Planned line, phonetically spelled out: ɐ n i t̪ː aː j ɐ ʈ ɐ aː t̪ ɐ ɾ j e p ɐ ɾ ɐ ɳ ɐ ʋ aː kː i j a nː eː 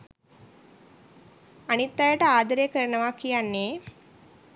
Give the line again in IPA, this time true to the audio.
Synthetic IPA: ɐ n i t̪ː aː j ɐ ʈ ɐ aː d̪ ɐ ɾ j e k ɐ ɾ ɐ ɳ ɐ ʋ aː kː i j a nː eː

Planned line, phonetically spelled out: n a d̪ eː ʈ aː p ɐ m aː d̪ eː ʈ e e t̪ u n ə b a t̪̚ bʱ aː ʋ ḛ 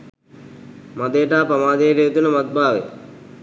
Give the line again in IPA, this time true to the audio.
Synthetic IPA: m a d̪ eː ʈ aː p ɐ m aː d̪ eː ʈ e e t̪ u n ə m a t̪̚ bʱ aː ʋ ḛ

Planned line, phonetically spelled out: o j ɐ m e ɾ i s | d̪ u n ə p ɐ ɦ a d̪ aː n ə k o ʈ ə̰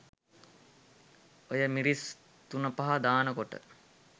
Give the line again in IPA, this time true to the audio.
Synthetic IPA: o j ə m i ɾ i s | t̪ u n ə p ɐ ɦ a d̪ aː n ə k o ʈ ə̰

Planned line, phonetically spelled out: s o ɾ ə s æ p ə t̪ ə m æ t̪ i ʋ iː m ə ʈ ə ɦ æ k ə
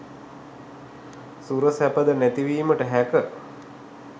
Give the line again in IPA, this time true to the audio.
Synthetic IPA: s u ɾ ə s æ p ə d̪ ə n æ t̪ i ʋ iː m ə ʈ ə ɦ æ k ə

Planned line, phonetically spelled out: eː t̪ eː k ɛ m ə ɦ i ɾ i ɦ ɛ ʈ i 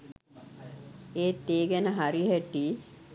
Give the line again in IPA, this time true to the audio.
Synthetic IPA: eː t̪ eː ɡ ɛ n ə ɦ a ɾ i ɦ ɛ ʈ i

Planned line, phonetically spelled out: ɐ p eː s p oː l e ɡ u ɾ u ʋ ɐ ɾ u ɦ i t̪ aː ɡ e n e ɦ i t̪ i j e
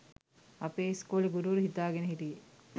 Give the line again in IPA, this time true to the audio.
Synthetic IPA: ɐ p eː s k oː l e ɡ u ɾ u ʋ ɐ ɾ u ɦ i t̪ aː ɡ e n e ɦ i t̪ i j e

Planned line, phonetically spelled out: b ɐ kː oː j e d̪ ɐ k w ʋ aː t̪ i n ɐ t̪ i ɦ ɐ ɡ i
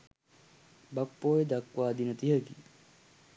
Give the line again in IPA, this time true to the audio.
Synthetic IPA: b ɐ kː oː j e d̪ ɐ k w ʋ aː d̪ i n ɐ t̪ i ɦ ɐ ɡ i

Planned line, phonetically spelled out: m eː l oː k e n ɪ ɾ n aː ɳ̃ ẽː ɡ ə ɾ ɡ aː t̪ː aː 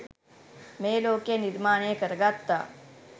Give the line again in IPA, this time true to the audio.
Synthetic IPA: m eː l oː k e n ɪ ɾ m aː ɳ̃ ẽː k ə ɾ ɡ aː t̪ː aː

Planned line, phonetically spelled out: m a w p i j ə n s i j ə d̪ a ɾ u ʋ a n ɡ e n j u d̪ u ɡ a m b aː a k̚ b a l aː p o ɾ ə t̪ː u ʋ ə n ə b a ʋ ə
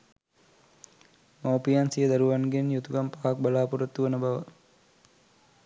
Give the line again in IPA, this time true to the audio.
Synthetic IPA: m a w p i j a n s i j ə d̪ a ɾ u ʋ a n ɡ e n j u t̪ u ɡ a m p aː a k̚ b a l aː p u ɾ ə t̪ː u ʋ ə n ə b a ʋ ə

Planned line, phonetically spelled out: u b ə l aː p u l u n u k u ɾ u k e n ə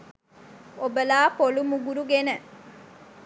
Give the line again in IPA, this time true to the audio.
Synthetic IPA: o b ə l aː p o l u m u ɡ u ɾ u ɡ e n ə

